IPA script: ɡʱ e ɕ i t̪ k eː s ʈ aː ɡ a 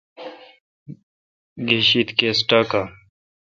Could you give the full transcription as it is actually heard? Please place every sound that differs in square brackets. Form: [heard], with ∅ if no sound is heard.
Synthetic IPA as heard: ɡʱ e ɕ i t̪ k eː s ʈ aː [k] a